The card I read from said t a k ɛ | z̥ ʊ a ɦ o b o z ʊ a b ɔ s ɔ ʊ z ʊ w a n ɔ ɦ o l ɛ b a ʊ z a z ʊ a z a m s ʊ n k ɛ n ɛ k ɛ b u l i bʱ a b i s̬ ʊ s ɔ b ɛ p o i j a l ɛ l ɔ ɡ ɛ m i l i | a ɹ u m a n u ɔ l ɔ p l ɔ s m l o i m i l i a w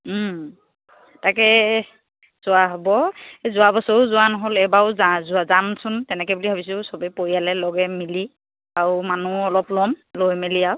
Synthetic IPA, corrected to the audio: t a k ɛ | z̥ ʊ a ɦ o b ɔ z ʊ a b ɔ s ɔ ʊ z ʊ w a n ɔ ɦ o l ɛ b a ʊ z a z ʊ a z a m s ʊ n t ɛ n ɛ k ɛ b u l i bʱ a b i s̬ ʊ s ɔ b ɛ p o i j a l ɛ l ɔ ɡ ɛ m i l i | a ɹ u m a n u ɔ l ɔ p l ɔ m l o j m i l i a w

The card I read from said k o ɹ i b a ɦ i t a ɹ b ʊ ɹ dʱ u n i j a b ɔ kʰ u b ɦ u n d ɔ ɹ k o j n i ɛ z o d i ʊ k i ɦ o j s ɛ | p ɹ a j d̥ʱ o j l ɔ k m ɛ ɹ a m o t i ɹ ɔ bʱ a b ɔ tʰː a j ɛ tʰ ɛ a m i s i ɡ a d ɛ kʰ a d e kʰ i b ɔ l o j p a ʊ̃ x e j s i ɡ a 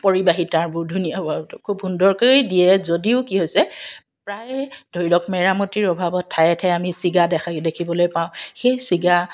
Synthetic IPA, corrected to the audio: p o ɹ i b a ɦ i t a ɹ b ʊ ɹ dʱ u n i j a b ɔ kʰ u b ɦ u n d ɔ ɹ k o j d i ɛ z o d i ʊ k i ɦ o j s ɛ | p ɹ a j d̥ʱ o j l ɔ k m ɛ ɹ a m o t i ɹ ɔ bʱ a b ɔ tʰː a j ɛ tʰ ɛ a m i s i ɡ a d ɛ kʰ a d e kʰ i b ɔ l o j p a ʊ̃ x e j s i ɡ a

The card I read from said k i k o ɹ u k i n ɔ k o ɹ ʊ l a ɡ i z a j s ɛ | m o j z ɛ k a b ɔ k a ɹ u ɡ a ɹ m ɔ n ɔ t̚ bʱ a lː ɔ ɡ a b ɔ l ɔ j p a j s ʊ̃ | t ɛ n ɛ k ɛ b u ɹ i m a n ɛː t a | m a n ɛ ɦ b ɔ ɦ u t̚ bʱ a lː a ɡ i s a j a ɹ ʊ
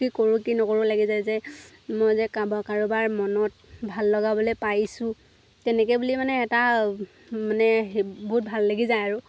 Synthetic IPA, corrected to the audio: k i k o ɹ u k i n ɔ k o ɹ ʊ l a ɡ i z a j z ɛ | m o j z ɛ k a b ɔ k a ɹ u b a ɹ m ɔ n ɔ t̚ bʱ a lː ɔ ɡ a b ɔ l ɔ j p a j s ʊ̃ | t ɛ n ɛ k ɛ b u l i m a n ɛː t a | m a n ɛ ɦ b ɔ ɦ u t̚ bʱ a lː a ɡ i z a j a ɹ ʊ

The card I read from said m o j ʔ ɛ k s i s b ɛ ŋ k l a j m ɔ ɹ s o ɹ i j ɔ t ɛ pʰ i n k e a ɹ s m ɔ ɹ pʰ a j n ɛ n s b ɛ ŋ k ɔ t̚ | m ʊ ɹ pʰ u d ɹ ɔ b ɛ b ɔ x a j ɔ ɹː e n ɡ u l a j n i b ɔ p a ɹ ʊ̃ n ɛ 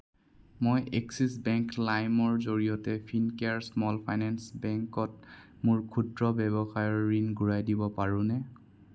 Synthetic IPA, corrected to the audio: m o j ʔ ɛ k s i s b ɛ ŋ k l a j m ɔ ɹ z o ɹ i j ɔ t ɛ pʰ i n k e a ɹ s m ɔ l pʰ a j n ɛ n s b ɛ ŋ k ɔ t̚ | m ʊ ɹ kʰ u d ɹ ɔ b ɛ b ɔ x a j ɔ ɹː i n ɡ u ɹ a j d i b ɔ p a ɹ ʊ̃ n ɛ

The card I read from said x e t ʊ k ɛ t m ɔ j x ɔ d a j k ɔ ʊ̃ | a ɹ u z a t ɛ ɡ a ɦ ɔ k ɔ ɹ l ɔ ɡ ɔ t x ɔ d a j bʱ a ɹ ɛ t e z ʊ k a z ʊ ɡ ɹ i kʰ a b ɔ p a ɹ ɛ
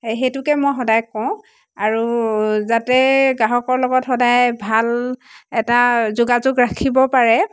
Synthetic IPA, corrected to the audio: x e t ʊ k ɛ m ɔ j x ɔ d a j k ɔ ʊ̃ | a ɹ u z a t ɛ ɡ a ɦ ɔ k ɔ ɹ l ɔ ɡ ɔ t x ɔ d a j bʱ a l ɛ t a z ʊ ɡ a z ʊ ɡ ɹ a kʰ i b ɔ p a ɹ ɛ

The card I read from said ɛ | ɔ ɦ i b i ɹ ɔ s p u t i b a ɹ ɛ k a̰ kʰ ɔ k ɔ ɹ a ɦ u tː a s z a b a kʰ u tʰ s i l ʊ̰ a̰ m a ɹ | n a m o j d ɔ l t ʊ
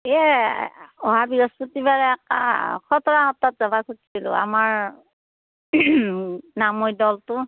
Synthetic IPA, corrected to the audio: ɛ | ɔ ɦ a b i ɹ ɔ s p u t i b a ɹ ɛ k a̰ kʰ ɔ t ɔ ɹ a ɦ ɔ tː a t z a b a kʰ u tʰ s i l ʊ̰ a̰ m a ɹ | n a m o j d ɔ l t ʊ

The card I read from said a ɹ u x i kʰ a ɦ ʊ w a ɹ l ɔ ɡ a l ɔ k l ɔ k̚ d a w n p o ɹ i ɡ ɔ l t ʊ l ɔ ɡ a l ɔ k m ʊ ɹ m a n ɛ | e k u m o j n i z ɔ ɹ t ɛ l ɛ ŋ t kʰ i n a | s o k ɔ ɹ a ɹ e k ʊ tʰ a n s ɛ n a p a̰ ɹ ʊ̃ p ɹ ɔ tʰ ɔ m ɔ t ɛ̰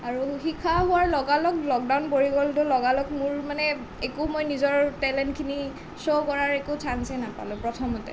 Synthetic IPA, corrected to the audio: a ɹ u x i kʰ a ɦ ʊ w a ɹ l ɔ ɡ a l ɔ k l ɔ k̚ d a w n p o ɹ i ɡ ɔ l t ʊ l ɔ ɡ a l ɔ k m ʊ ɹ m a n ɛ | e k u m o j n i z ɔ ɹ t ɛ l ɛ n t kʰ i n i | s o k ɔ ɹ a ɹ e k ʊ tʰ a n s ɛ n a p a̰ l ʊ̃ p ɹ ɔ tʰ ɔ m ɔ t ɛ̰

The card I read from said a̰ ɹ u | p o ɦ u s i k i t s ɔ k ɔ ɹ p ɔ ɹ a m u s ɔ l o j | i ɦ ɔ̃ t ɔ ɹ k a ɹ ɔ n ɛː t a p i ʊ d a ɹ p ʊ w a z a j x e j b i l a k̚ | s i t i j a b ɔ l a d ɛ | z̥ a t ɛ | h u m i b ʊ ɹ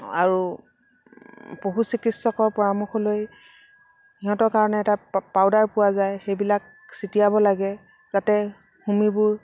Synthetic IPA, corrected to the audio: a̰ ɹ u | p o ɦ u s i k i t s ɔ k ɔ ɹ p ɔ ɹ a m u x ɔ l o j | i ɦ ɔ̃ t ɔ ɹ k a ɹ ɔ n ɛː t a p a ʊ d a ɹ p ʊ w a z a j x e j b i l a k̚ | s i t i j a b ɔ l a ɡ ɛ | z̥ a t ɛ | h u m i b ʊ ɹ

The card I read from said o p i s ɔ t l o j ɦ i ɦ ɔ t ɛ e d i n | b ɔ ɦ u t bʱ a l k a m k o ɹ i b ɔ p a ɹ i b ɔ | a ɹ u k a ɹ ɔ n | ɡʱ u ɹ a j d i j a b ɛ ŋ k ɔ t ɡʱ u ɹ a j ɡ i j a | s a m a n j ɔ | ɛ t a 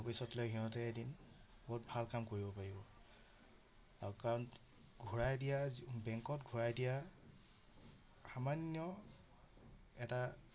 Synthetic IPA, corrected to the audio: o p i s ɔ t l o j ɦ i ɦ ɔ t ɛ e d i n | b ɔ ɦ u t bʱ a l k a m k o ɹ i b ɔ p a ɹ i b ɔ | a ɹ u k a ɹ ɔ n | ɡʱ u ɹ a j d i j a b ɛ ŋ k ɔ t ɡʱ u ɹ a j d i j a | x a m a n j ɔ | ɛ t a

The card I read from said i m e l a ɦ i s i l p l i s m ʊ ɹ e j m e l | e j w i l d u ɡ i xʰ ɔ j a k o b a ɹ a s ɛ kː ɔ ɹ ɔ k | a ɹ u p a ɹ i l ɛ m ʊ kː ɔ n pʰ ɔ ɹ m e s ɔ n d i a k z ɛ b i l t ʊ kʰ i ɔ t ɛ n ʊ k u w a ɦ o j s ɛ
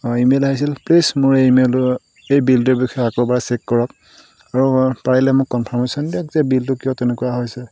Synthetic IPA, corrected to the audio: i m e l a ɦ i s i l p l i s m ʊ ɹ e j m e l | e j b i l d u b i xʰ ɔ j a k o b a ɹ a s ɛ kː ɔ ɹ ɔ k | a ɹ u p a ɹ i l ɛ m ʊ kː ɔ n pʰ ɔ ɹ m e s ɔ n d i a k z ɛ b i l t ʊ k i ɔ t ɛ n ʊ k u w a ɦ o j s ɛ

